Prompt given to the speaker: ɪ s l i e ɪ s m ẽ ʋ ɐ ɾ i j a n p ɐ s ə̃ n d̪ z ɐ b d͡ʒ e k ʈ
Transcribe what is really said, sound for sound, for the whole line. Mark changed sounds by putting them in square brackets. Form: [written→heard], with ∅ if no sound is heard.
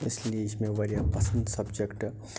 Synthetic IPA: ɪ s l i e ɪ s m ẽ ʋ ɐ ɾ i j a [n→∅] p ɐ s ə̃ n d̪ [z→s] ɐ b d͡ʒ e k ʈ